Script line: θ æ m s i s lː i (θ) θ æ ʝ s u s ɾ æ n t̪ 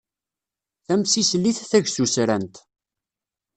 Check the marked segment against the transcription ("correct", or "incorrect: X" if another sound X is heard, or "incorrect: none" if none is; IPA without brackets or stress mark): correct